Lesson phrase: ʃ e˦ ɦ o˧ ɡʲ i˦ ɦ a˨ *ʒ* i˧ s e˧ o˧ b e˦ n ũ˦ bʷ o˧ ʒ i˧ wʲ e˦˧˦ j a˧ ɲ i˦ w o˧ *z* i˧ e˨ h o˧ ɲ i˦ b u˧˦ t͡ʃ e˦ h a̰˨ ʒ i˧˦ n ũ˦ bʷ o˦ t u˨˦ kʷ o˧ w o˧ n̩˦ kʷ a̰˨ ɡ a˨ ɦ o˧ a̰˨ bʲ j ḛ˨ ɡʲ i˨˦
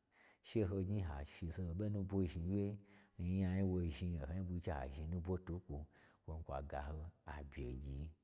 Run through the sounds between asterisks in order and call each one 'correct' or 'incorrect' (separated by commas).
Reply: incorrect, incorrect